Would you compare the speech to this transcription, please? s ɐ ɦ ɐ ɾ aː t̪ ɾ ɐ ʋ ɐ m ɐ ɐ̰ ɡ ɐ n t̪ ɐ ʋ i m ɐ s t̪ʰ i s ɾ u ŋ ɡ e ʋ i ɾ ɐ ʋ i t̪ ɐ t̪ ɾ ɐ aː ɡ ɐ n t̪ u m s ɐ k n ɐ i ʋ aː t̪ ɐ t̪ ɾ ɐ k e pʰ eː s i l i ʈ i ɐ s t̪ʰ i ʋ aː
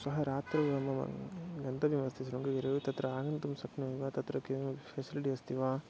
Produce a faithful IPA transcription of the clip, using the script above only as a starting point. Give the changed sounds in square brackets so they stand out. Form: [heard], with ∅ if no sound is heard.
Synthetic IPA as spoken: s ɐ ɦ ɐ ɾ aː t̪ ɾ ɐ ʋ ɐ m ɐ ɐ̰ ɡ ɐ n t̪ ɐ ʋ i m ɐ s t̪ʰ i s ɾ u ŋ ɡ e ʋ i ɾ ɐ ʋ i t̪ ɐ t̪ ɾ ɐ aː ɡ ɐ n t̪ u m s ɐ k n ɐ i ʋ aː t̪ ɐ t̪ ɾ ɐ k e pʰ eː s i l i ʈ i ɐ s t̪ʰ i ʋ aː